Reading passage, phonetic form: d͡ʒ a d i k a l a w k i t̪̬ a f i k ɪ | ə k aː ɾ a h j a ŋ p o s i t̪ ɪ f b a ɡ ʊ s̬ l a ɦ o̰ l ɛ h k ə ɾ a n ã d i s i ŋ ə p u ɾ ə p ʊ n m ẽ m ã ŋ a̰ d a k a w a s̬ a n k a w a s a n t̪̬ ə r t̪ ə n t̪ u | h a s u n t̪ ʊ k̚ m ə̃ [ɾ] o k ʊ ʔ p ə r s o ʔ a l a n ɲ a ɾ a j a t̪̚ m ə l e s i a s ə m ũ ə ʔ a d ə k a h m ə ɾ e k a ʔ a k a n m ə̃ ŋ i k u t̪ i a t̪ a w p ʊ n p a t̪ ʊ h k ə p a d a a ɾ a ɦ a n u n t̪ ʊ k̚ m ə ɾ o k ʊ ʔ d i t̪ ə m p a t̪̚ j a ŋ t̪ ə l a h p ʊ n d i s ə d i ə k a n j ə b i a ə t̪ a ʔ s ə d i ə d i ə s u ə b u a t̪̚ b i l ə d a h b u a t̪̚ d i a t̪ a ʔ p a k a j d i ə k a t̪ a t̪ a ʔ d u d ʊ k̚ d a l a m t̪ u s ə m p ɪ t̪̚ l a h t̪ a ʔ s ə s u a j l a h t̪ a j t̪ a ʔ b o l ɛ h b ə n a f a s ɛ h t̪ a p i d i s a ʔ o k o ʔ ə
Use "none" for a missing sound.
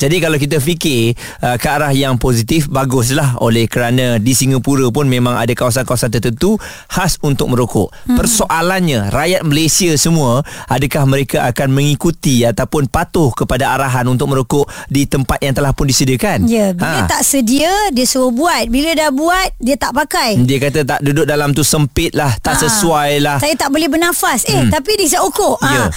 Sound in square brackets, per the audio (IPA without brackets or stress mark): ɾ